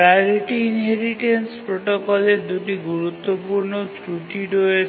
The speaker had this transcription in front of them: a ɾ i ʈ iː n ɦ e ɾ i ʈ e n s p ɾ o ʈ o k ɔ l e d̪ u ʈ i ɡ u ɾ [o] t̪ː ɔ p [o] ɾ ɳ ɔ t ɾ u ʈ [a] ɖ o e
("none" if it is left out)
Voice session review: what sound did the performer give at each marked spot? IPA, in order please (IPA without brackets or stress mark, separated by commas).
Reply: u, u, i